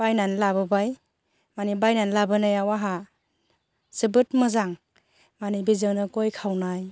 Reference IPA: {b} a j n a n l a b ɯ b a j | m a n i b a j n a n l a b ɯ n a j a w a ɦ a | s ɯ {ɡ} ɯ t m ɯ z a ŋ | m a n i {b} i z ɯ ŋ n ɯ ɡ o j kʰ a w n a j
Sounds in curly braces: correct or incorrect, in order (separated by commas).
correct, incorrect, correct